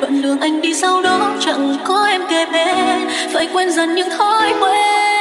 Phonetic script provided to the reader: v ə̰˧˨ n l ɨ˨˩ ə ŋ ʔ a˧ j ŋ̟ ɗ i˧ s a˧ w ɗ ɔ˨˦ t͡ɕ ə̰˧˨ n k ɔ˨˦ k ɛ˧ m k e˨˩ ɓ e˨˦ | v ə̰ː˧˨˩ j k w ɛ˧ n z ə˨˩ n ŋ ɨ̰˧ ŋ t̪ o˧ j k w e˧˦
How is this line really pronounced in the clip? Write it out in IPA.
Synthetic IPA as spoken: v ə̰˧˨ n l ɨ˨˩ ə ŋ ʔ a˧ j ŋ̟ ɗ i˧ s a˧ w ɗ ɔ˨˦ t͡ɕ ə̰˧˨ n k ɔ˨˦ ʔ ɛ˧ m k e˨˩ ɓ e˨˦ | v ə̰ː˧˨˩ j k w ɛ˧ n z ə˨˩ n ɲ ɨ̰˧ ŋ t̪ʰ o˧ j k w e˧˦

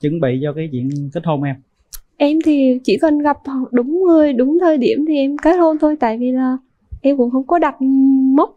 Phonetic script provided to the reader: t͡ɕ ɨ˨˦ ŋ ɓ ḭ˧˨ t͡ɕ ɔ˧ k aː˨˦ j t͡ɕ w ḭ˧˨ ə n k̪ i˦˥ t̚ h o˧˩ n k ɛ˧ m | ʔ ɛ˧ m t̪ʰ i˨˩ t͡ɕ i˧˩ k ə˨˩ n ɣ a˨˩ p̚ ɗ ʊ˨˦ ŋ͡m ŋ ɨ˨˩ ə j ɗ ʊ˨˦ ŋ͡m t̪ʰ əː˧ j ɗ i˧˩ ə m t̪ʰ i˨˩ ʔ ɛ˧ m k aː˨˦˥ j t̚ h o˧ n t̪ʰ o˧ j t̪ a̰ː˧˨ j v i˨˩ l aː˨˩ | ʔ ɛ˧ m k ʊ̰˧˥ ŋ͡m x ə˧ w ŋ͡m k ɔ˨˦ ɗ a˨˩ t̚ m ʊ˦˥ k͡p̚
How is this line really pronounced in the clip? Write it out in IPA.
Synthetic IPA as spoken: t͡ɕ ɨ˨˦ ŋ ɓ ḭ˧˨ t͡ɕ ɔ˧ k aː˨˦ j t͡ɕ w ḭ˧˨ ə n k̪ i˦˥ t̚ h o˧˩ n ʔ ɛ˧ m | ʔ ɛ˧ m t̪ʰ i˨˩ t͡ɕ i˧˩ k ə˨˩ n ɣ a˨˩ p̚ ɗ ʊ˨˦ ŋ͡m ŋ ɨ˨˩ ə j ɗ ʊ˨˦ ŋ͡m t̪ʰ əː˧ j ɗ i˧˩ ə m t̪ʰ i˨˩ ʔ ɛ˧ m k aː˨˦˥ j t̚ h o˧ n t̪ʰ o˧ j t̪ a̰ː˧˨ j v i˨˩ l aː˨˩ | ʔ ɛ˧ m k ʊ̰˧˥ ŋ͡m x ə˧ w ŋ͡m k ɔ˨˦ ɗ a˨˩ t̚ m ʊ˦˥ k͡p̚

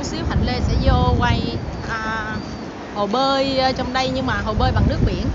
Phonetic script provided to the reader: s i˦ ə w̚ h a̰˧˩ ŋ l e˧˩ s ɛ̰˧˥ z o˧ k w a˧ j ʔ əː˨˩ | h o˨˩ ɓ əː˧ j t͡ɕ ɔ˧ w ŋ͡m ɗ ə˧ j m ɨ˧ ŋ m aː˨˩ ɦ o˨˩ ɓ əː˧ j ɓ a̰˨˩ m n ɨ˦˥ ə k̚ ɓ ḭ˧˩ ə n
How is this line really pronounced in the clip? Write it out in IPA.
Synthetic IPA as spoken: s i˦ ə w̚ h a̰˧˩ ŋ l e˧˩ s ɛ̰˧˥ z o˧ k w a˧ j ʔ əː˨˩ | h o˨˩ ɓ əː˧ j t͡ɕ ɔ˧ w ŋ͡m ɗ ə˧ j ɲ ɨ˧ ŋ m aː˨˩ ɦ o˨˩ ɓ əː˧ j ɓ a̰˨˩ ŋ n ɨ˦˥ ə k̚ ɓ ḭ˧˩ ə n

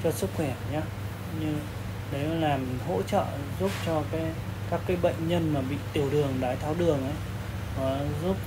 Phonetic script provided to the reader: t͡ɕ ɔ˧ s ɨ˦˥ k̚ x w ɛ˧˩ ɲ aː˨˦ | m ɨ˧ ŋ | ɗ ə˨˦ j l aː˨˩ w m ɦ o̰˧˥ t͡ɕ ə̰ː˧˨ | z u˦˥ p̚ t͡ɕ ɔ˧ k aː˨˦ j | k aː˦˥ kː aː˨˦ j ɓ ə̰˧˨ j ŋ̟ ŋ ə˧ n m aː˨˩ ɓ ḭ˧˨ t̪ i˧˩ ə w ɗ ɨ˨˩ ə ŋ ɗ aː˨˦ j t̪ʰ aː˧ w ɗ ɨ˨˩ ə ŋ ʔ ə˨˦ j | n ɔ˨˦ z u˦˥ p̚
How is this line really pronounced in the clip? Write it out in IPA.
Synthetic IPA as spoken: t͡ɕ ɔ˧ s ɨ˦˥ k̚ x w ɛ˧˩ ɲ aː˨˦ | ɲ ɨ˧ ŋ | ɗ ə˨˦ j l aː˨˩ m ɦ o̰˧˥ t͡ɕ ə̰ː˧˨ | z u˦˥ p̚ t͡ɕ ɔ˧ k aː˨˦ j | k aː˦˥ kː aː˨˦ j ɓ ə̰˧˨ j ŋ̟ ɲ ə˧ n m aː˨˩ ɓ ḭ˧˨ t̪ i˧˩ ə w ɗ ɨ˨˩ ə ŋ ɗ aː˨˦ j t̪ʰ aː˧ w ɗ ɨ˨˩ ə ŋ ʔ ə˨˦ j | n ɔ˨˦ z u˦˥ p̚

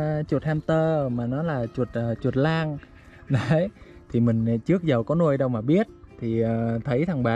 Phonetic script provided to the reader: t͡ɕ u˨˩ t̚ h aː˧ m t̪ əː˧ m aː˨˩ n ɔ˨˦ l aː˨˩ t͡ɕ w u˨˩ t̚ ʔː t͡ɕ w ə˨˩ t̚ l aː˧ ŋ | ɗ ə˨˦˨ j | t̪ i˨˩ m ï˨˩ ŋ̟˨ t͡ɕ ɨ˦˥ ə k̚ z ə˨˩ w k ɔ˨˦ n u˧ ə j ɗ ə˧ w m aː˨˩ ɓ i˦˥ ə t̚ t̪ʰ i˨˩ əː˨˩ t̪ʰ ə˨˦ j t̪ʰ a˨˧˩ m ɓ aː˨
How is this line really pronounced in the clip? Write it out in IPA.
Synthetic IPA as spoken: t͡ɕ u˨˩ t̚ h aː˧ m t̪ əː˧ m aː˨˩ n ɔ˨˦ l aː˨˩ t͡ɕ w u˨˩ t̚ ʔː t͡ɕ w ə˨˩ t̚ l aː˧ ŋ | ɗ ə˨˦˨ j | t̪ʰ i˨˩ m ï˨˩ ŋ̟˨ t͡ɕ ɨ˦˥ ə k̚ z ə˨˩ w k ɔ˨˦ n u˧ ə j ɗ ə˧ w m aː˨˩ ɓ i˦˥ ə t̚ t̪ʰ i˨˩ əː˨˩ t̪ʰ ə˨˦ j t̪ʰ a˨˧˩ ŋ ɓ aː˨

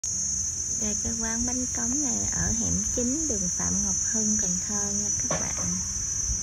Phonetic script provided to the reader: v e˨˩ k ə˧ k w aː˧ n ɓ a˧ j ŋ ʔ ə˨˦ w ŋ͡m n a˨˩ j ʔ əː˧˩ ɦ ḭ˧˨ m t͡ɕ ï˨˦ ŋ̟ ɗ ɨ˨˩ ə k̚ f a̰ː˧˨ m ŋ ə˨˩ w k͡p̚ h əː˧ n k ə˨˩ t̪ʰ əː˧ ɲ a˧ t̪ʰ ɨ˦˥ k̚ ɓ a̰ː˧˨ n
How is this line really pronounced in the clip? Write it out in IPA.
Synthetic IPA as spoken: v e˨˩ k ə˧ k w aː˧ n ɓ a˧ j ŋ k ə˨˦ w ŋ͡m n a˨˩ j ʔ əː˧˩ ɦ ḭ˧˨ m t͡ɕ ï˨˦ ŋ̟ ɗ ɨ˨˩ ə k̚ f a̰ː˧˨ m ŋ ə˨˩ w k͡p̚ h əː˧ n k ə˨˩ t̪ʰ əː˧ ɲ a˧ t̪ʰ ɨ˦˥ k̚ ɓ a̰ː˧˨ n

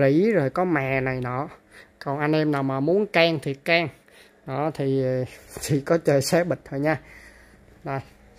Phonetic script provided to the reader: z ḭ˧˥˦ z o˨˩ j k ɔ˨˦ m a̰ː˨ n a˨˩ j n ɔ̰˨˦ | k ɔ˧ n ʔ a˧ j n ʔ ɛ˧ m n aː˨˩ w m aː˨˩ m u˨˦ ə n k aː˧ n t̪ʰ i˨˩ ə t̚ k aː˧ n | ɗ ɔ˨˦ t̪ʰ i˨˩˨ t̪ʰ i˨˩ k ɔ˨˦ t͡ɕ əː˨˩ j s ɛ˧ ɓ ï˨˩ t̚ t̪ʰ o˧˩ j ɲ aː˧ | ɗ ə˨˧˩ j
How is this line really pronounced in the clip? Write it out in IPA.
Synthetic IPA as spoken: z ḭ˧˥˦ z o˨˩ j k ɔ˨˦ m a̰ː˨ n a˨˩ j n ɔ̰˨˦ | k ɔ˨˩ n ʔ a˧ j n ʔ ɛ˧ m n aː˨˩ w m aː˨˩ m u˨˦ ə n k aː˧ ŋ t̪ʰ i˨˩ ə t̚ k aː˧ ŋ | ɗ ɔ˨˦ t̪ʰ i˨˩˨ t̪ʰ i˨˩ k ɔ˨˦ t͡ɕ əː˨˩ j s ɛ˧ ɓ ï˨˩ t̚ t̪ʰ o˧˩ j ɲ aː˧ | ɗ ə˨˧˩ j

